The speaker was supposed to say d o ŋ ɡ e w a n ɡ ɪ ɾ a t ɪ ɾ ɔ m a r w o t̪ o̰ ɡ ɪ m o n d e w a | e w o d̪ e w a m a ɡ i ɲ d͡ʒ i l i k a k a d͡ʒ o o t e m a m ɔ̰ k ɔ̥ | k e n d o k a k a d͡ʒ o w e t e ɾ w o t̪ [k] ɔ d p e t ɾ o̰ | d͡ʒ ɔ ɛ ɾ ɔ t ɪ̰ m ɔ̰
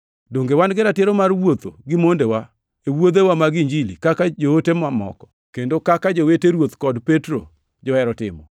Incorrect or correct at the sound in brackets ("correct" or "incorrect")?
correct